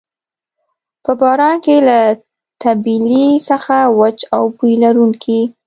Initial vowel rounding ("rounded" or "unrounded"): unrounded